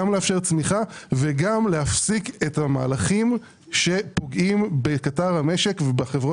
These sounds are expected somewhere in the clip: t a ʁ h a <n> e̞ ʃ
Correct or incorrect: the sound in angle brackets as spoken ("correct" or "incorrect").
incorrect